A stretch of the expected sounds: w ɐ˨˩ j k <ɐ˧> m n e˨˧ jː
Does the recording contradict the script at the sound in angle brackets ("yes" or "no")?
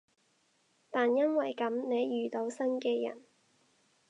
yes